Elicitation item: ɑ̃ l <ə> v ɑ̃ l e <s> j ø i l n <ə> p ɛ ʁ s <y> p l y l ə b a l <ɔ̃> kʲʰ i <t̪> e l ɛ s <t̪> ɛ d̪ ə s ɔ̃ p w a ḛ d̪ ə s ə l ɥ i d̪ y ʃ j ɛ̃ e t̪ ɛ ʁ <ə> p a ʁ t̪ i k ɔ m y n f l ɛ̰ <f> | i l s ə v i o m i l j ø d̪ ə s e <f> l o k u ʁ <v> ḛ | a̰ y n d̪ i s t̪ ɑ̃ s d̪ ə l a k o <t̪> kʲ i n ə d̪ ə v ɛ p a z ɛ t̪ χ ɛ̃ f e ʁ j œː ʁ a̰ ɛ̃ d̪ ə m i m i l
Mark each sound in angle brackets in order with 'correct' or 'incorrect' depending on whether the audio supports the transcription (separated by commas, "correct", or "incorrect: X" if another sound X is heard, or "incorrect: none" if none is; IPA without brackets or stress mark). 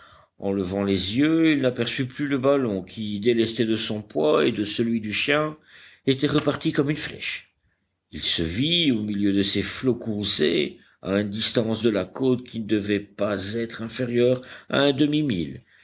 correct, incorrect: z, incorrect: a, correct, correct, incorrect: d̪, correct, correct, incorrect: ʃ, correct, incorrect: z, correct